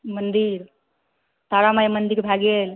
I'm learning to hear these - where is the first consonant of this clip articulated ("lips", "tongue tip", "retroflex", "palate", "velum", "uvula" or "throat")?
lips